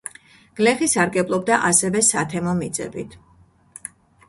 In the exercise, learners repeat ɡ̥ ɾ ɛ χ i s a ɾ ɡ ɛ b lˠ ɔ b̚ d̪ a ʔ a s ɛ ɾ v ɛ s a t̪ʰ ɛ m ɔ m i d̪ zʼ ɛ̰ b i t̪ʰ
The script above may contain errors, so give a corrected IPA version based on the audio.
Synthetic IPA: ɡ̥ l ɛ χ i s a ɾ ɡ ɛ b lˠ ɔ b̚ d̪ a ʔ a s ɛ v ɛ s a t̪ʰ ɛ m ɔ m i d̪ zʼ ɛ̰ b i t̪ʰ